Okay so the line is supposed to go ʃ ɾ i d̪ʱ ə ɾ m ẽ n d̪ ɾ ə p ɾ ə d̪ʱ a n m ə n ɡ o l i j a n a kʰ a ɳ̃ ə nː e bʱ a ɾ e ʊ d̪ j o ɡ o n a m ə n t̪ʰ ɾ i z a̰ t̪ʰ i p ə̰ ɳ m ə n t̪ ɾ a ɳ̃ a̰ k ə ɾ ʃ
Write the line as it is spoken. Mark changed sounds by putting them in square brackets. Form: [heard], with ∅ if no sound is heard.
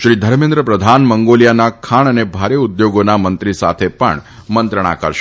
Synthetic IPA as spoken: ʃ ɾ i d̪ʱ ə ɾ m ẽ n d̪ ɾ ə p ɾ ə d̪ʱ a n m ə [ŋ] ɡ o l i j a n a kʰ a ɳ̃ ə [n] e bʱ a ɾ e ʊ d̪ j o ɡ o n a m ə n [t̪] ɾ i [s] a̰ t̪ʰ [e] p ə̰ ɳ m ə n t̪ ɾ [ə] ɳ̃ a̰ k ə ɾ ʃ